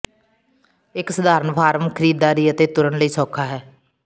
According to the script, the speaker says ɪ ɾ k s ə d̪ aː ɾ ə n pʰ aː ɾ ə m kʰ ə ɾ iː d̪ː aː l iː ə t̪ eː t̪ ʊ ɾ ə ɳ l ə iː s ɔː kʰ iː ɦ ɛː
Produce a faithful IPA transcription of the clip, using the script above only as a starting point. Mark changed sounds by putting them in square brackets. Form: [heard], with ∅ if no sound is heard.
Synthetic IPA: ɪ [∅] k s ə d̪ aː ɾ ə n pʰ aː ɾ ə m kʰ ə ɾ iː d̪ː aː [ɾ] iː ə t̪ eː t̪ ʊ ɾ ə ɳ l ə iː s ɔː kʰ [aː] ɦ ɛː